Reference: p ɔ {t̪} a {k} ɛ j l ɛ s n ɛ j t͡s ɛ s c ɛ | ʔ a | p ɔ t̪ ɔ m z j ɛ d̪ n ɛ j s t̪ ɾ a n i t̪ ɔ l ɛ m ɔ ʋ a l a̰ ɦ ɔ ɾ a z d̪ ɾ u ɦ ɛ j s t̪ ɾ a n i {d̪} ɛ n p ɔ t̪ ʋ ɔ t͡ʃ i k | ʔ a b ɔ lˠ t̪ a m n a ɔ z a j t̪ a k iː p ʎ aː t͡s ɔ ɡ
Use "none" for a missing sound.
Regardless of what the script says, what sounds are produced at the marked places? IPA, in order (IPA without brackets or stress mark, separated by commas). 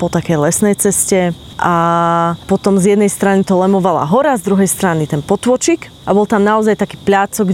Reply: t̪, k, t̪